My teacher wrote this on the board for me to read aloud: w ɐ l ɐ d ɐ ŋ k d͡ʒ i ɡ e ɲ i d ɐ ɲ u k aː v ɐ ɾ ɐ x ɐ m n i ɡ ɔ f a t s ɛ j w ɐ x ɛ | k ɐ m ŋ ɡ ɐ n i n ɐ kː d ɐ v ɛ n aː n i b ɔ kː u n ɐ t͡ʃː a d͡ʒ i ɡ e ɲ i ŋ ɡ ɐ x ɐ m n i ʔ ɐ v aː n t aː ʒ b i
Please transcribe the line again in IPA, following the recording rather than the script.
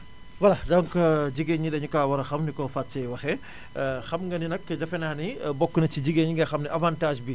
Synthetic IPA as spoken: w ɐ l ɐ d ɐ ŋ k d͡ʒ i ɡ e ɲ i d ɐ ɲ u k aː w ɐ ɾ ɐ x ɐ m n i k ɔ f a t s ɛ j w ɐ x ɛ | x ɐ m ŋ ɡ ɐ n i n ɐ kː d ɐ f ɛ n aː n i b ɔ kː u n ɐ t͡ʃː i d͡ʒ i ɡ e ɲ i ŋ ɡ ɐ x ɐ m n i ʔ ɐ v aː n t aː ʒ b i